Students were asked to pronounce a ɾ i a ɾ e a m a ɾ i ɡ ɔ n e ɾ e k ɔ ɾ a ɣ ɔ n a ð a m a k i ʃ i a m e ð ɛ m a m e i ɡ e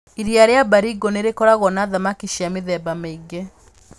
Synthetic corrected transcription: i ɾ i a ɾ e a b a ɾ i ɡ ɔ n e ɾ e k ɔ ɾ a ɣ ɔ n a ð a m a k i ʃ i a m e ð ɛ b a m e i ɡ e